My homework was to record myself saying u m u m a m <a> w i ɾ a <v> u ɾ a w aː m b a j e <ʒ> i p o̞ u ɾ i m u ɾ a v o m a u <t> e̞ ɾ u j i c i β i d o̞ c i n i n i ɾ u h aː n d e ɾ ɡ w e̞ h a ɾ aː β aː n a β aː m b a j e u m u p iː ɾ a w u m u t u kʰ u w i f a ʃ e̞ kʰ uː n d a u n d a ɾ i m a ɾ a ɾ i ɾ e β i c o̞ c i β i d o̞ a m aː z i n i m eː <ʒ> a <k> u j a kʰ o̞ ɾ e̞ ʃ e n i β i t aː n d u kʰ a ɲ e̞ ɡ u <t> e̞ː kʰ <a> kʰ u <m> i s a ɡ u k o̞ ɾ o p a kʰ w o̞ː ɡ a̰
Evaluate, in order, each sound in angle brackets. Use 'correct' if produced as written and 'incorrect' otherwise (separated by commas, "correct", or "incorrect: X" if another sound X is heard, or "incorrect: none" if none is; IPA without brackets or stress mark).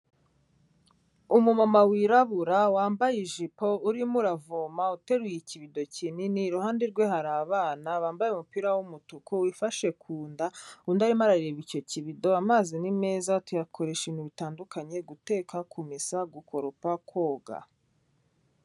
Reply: correct, incorrect: β, correct, correct, incorrect: z, incorrect: t, correct, correct, correct